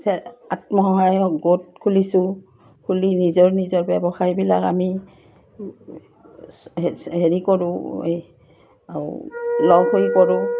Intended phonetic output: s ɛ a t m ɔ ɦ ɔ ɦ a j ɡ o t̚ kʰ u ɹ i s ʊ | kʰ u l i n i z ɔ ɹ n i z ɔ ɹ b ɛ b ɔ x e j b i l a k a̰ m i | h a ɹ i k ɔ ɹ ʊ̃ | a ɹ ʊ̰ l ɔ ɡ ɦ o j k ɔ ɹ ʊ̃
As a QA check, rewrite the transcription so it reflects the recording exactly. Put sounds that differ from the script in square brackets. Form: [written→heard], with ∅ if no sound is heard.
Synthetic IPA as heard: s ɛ a t m ɔ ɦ ɔ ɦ a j ɡ o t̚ kʰ u [ɹ→l] i s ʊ | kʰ u l i n i z ɔ ɹ n i z ɔ ɹ b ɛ b ɔ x [e→a] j b i l a k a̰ m i | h [a→e] ɹ i k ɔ ɹ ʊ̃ | a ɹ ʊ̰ l ɔ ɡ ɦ o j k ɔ ɹ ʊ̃

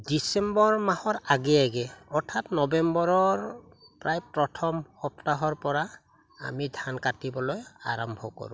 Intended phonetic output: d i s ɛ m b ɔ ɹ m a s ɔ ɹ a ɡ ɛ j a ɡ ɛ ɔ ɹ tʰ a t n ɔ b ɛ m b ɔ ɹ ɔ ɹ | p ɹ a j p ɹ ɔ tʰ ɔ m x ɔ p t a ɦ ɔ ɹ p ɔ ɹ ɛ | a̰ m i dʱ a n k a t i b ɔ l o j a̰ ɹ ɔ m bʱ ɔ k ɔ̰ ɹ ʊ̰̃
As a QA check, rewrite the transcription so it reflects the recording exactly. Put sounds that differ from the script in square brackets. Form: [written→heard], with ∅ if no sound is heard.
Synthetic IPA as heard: d i s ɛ m b ɔ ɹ m a [s→h] ɔ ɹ a ɡ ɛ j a ɡ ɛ ɔ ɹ tʰ a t n ɔ b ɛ m b ɔ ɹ ɔ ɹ | p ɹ a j p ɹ ɔ tʰ ɔ m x ɔ p t a ɦ ɔ ɹ p ɔ ɹ [ɛ→a] | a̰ m i dʱ a n k a t i b ɔ l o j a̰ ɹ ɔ m bʱ ɔ k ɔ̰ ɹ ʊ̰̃

